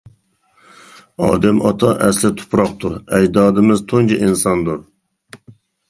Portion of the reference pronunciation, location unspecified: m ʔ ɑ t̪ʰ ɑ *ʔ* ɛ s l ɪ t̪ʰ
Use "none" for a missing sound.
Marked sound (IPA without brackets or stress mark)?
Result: ʔ